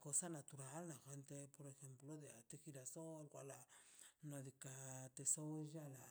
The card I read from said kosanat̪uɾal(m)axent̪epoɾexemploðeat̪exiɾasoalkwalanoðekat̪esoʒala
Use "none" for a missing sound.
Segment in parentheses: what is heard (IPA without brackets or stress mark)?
n